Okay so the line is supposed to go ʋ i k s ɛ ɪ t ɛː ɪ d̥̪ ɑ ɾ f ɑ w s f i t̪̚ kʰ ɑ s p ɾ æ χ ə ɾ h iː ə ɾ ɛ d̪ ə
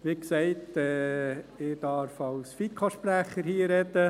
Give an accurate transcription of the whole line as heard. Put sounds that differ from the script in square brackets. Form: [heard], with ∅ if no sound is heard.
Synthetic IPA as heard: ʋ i k s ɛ ɪ t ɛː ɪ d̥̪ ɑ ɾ f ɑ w s f i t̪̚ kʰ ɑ [ʃ] p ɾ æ χ ə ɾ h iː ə ɾ ɛ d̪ ə